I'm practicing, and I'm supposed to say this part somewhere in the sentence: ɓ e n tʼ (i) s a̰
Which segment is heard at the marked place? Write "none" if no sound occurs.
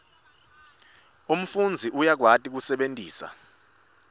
iː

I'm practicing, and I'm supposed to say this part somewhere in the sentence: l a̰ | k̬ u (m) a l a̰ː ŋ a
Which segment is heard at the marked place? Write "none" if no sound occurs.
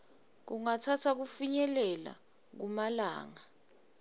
m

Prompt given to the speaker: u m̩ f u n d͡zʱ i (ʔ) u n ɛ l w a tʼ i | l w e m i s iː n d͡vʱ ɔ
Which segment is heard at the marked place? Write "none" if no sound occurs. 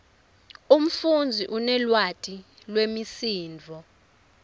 ʔ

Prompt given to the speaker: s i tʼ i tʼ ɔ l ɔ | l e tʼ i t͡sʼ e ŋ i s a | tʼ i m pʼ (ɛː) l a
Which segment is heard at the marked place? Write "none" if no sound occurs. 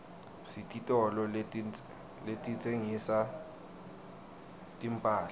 aː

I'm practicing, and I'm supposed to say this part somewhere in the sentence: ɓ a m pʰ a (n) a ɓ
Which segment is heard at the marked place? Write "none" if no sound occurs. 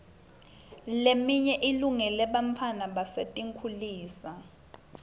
n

